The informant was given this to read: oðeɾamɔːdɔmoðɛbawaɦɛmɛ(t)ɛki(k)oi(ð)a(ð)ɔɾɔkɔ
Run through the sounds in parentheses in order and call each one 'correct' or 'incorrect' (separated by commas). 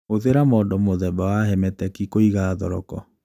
correct, correct, incorrect, correct